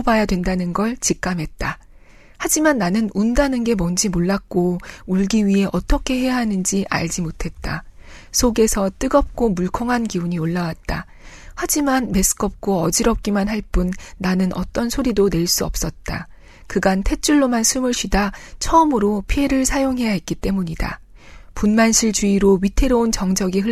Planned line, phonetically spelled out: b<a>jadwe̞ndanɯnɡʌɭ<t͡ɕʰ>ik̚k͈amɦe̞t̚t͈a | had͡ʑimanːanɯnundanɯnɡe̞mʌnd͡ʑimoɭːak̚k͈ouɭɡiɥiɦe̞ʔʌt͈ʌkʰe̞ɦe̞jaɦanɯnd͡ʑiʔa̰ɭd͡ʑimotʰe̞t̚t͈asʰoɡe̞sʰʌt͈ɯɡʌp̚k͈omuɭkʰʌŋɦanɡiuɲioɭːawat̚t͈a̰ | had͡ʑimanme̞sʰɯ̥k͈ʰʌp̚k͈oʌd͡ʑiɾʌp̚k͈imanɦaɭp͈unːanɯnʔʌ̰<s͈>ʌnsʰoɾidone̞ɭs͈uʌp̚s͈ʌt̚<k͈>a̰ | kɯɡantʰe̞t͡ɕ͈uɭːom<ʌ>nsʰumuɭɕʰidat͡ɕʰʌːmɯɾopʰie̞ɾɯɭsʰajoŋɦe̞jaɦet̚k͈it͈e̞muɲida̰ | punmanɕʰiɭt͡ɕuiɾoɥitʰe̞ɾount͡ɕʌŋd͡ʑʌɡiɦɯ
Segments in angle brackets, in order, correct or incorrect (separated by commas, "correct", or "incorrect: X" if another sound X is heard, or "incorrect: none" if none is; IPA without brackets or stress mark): correct, incorrect: t͡ɕ, incorrect: t͈, incorrect: t͈, incorrect: a